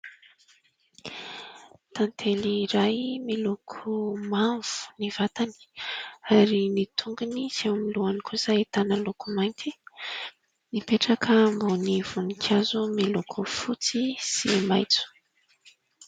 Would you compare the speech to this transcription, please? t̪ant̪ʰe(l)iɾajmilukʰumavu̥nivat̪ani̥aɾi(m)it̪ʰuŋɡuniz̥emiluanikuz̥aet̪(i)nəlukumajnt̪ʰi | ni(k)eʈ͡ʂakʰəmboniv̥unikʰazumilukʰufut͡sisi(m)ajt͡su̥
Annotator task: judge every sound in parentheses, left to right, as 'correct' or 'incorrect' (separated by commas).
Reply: correct, incorrect, incorrect, incorrect, correct